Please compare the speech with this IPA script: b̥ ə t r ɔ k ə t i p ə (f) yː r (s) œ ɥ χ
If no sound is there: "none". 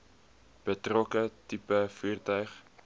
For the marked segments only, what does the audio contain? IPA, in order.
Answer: f, t

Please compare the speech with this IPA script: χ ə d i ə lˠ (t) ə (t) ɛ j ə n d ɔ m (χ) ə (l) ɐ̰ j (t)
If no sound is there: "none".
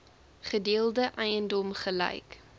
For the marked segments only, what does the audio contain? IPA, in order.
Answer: d, ʔ, χ, l, k

